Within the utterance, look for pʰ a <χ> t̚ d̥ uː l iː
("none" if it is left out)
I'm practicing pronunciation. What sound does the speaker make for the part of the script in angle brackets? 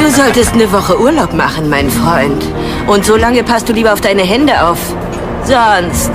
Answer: s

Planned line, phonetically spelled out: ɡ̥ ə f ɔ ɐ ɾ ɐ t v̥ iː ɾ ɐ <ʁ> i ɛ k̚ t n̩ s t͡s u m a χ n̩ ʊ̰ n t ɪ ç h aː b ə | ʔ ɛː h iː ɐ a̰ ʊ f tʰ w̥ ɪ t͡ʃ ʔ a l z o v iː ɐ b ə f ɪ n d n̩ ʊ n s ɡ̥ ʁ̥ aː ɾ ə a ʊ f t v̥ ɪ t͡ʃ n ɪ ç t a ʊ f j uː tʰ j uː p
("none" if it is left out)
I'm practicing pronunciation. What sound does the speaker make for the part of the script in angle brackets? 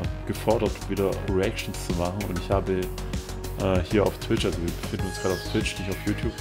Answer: ʁ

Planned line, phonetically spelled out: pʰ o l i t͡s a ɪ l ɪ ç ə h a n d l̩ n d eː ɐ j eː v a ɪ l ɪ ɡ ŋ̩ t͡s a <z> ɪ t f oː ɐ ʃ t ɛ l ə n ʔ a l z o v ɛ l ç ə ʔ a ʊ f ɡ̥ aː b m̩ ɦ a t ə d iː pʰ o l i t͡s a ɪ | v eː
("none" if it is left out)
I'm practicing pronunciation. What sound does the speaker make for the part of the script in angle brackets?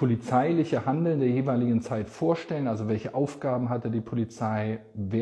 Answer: none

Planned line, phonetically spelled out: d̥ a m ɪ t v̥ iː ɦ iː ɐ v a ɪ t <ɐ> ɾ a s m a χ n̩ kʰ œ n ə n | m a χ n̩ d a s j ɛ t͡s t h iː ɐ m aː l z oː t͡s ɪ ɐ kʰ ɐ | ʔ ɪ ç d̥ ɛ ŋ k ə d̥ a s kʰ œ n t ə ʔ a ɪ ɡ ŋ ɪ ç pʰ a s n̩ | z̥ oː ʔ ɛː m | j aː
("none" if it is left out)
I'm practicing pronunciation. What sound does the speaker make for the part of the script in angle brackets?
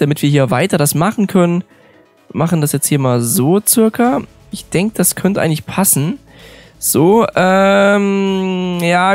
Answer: ɐ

